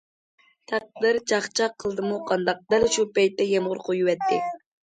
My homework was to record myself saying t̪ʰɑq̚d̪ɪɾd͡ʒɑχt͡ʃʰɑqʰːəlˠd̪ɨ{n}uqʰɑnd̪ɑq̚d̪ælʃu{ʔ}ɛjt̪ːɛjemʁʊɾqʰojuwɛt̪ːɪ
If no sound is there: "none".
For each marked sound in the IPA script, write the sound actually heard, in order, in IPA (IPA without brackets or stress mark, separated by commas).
m, p